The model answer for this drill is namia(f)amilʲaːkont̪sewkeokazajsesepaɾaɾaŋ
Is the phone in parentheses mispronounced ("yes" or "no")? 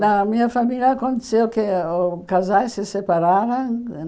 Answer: no